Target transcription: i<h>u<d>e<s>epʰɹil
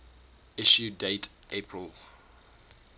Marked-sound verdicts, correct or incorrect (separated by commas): incorrect, correct, incorrect